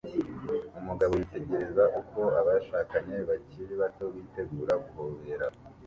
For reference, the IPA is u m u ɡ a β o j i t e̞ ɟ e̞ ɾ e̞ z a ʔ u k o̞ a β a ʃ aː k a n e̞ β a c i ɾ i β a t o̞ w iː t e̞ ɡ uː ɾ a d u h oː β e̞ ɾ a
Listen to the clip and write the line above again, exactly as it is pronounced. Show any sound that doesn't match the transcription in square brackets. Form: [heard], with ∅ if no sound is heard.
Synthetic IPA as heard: u m u ɡ a β o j i t e̞ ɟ e̞ ɾ e̞ z a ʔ u k o̞ a β a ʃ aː k a [ɲ] e̞ β a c i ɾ i β a t o̞ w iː t e̞ ɡ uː ɾ a [ɡ] u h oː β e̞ ɾ a